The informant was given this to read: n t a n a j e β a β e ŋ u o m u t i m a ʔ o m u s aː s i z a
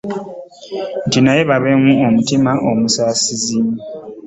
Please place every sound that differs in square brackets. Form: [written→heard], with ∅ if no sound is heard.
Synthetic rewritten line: n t [a→i] n a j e β a β e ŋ u o m u t i m a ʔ o m u s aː s i z [a→i]